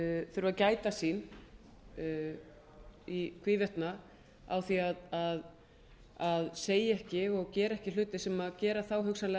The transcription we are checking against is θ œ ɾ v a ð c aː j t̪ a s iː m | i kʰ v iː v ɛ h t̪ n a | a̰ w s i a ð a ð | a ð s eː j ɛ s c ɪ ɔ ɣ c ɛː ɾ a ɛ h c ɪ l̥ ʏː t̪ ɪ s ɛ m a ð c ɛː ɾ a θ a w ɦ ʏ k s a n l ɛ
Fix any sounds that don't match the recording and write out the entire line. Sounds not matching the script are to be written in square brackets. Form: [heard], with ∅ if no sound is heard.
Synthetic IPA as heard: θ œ ɾ v a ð c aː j t̪ a s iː [n] | i kʰ v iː v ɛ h t̪ n a | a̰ w [θ] i a ð a ð | a ð s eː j ɛ [h] c ɪ ɔ ɣ c ɛː ɾ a ɛ h c ɪ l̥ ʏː t̪ ɪ s ɛ m a ð c ɛː ɾ a θ a w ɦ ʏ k s a n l ɛ